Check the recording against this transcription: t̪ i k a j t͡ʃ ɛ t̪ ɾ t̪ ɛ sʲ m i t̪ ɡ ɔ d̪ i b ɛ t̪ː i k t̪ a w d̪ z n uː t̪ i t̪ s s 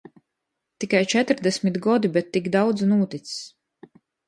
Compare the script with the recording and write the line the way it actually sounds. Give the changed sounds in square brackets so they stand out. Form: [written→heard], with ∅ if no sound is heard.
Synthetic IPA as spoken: t̪ i k a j t͡ʃ ɛ t̪ ɾ [t̪→d̪] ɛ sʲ m i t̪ ɡ ɔ d̪ i b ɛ t̪ː i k [t̪→d̪] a w d̪ z n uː t̪ i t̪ s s